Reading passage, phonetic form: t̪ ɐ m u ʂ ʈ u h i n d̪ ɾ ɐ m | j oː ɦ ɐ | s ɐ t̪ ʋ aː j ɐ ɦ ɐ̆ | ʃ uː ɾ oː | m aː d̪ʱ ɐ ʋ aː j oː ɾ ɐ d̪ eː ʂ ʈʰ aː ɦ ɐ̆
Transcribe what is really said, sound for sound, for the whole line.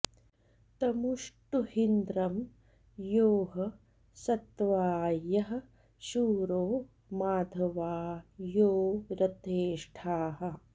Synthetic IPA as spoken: t̪ ɐ m u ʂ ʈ u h i n d̪ ɾ ɐ m | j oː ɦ ɐ | s ɐ t̪ ʋ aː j ɐ ɦ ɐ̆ | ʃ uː ɾ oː | m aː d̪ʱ ɐ ʋ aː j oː ɾ ɐ t̪ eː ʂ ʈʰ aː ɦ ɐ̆